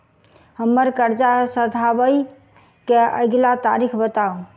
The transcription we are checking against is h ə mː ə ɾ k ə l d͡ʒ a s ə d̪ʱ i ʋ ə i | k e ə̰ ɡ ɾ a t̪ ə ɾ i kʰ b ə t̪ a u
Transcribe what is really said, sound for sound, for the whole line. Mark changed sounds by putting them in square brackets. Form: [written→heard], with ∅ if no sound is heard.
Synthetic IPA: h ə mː ə ɾ k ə [l→ɾ] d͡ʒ a s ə d̪ʱ [i→a] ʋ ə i | k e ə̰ ɡ [ɾ→l] a t̪ [ə→a] ɾ i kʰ b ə t̪ a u